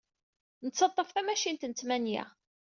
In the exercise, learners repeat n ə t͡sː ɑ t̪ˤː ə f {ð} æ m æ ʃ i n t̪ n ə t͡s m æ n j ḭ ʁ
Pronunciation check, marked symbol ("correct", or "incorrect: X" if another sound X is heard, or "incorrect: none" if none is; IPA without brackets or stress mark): incorrect: θ